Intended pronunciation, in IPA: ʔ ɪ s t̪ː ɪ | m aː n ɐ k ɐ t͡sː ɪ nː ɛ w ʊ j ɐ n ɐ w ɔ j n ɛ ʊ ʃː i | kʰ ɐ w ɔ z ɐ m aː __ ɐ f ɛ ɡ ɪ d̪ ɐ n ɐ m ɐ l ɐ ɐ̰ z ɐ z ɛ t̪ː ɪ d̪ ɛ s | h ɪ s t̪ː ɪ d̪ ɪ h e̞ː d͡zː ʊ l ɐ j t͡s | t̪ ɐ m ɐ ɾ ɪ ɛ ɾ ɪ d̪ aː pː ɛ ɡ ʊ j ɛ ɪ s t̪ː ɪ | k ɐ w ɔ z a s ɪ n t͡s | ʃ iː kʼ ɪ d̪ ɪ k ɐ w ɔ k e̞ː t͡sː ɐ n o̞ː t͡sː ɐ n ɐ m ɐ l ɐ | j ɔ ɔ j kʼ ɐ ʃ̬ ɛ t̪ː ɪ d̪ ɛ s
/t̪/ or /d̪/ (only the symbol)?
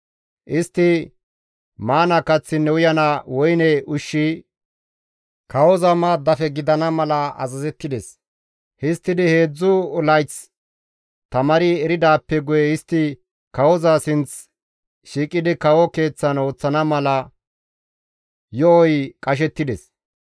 d̪